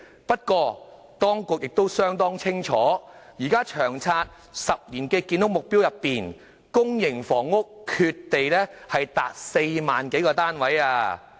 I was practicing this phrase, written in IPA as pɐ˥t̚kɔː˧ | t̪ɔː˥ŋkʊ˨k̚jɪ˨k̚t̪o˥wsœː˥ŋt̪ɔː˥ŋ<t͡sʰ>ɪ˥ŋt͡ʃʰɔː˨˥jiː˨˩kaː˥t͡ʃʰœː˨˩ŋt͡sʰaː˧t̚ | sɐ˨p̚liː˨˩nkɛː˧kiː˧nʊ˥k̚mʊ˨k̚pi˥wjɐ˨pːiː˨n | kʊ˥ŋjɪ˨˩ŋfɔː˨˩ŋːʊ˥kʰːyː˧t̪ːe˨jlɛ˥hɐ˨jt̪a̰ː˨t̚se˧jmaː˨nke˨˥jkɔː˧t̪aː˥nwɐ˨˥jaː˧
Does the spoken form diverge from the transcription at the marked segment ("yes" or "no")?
no